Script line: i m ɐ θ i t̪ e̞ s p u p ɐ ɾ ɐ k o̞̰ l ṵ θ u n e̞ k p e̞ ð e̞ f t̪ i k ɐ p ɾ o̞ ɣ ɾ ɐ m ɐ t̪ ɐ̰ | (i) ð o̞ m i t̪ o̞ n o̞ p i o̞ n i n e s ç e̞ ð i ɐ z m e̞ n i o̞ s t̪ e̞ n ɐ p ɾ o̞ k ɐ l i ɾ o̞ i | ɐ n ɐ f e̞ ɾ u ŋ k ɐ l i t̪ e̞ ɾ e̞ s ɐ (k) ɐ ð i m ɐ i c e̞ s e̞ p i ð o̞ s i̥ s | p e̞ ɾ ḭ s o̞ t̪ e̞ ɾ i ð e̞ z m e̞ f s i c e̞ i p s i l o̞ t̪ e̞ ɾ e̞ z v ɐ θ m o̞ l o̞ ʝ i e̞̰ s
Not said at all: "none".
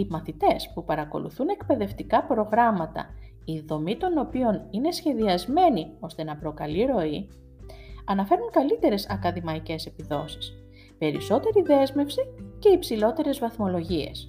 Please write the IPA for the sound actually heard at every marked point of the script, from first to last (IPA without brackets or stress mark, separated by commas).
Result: i, k